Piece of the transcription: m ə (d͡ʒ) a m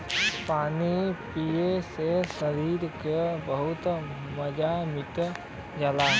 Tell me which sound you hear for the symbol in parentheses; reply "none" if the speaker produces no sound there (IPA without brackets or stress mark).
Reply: d͡ʒ